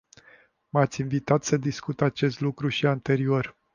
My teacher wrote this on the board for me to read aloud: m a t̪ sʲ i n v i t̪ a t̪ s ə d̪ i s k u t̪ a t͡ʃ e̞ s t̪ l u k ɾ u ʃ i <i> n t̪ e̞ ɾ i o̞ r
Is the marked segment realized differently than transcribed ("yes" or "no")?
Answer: yes